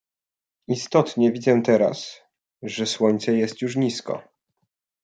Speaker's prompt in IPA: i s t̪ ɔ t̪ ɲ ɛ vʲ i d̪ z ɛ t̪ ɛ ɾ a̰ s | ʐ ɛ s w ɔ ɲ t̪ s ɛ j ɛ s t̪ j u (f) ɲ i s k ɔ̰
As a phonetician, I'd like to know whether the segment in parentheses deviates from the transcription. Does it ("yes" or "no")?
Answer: yes